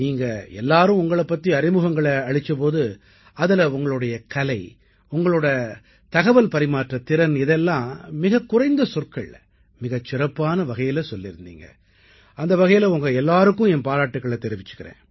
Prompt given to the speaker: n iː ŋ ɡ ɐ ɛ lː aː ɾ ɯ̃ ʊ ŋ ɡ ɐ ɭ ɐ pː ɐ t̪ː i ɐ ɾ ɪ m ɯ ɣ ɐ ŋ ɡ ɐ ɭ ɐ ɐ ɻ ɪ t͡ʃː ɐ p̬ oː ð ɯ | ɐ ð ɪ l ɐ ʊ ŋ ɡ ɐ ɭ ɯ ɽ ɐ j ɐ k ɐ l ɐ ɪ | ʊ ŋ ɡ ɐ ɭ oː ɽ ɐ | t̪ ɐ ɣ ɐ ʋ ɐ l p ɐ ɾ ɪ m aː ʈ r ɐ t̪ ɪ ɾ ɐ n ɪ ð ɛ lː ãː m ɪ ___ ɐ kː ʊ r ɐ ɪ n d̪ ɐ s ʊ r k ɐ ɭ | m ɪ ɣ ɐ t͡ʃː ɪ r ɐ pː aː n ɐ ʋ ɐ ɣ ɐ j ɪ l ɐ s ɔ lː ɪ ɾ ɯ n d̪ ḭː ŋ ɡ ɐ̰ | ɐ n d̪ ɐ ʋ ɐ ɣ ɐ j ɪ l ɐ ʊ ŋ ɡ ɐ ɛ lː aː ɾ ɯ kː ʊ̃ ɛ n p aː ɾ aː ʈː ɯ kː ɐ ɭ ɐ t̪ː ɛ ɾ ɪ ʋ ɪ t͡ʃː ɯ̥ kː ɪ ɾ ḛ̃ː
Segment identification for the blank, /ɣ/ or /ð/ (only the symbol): ɣ